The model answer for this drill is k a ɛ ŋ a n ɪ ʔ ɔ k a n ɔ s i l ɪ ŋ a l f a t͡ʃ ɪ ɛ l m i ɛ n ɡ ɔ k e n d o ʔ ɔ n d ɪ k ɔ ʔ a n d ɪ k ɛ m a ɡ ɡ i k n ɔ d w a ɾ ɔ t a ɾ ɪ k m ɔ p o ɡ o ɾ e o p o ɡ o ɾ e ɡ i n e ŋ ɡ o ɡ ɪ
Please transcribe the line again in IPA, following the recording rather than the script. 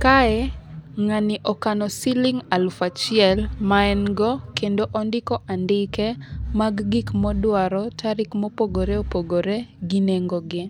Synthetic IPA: k a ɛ ŋ a n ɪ ʔ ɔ k a n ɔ s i l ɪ ŋ a l f a t͡ʃ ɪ ɛ l m a ɛ n ɡ ɔ k e n d o ʔ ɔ n d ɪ k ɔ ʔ a n d ɪ k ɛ m a ɡ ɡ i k m ɔ d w a ɾ ɔ t a ɾ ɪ k m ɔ p o ɡ o ɾ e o p o ɡ o ɾ e ɡ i n e ŋ ɡ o ɡ ɪ